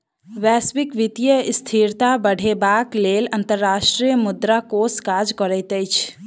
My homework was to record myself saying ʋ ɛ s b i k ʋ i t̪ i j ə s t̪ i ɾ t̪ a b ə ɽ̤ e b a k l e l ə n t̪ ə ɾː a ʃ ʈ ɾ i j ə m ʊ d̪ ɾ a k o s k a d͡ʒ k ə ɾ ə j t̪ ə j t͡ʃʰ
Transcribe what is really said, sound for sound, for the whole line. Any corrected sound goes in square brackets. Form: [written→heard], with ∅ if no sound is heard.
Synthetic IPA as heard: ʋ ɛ s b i k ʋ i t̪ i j ə s [t̪→t̪ʰ] i ɾ t̪ a b ə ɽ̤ e b a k l e l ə n t̪ ə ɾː a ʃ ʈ ɾ i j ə m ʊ d̪ ɾ a k o s k a d͡ʒ k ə ɾ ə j t̪ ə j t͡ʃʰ